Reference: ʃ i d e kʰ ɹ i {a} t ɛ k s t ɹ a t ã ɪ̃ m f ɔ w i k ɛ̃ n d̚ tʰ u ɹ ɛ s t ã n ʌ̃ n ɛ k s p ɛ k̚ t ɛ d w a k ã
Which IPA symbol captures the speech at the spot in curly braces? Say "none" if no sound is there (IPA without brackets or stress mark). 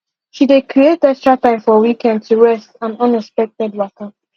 e